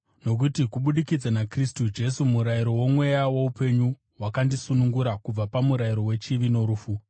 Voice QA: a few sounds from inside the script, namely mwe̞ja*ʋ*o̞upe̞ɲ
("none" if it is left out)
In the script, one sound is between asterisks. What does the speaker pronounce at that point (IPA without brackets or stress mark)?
w